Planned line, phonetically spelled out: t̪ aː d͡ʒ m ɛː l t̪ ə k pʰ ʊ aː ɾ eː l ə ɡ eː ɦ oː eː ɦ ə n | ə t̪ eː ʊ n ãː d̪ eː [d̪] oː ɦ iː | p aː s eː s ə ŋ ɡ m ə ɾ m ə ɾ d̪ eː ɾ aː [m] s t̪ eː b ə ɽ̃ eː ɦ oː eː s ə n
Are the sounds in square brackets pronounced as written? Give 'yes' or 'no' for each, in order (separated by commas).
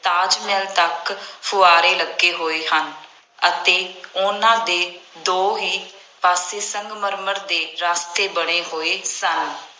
yes, no